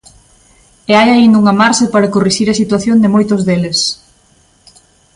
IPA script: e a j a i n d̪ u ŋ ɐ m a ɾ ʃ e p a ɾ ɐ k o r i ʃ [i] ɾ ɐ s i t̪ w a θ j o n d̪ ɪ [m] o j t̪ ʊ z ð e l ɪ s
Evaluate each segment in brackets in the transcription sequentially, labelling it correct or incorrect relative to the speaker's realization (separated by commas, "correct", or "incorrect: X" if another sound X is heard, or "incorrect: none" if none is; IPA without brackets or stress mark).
correct, correct